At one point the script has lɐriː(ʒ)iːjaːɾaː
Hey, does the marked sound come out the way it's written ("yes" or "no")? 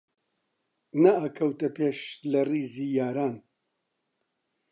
no